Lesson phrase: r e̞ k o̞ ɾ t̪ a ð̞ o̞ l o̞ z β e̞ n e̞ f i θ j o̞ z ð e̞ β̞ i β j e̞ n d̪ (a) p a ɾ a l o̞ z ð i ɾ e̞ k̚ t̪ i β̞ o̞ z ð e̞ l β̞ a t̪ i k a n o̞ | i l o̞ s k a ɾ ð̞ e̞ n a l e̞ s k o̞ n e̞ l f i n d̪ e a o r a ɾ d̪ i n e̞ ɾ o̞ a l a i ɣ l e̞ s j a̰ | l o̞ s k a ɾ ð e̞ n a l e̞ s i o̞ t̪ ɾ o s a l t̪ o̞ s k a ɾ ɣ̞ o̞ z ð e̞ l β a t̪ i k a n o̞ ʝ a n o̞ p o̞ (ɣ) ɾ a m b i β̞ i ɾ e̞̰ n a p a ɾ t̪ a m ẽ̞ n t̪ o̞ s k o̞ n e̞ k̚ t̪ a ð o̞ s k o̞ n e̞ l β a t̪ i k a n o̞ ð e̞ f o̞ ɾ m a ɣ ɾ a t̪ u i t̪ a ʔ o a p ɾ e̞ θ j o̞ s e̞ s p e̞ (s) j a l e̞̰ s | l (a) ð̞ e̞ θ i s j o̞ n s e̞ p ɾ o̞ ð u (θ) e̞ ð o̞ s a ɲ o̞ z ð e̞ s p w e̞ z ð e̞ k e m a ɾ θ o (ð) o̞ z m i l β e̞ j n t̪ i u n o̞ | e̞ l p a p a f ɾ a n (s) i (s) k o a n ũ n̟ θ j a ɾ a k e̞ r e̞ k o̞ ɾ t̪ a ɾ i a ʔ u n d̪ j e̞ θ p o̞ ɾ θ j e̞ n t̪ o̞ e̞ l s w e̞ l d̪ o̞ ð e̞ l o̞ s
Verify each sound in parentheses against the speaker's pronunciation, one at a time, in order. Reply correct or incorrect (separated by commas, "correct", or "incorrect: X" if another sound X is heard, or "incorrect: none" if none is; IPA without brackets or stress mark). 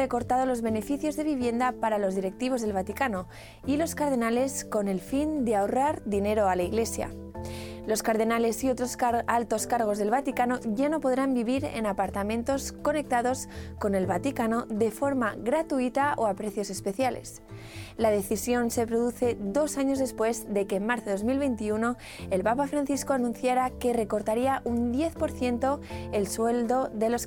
correct, incorrect: ð, incorrect: θ, correct, correct, correct, incorrect: θ, correct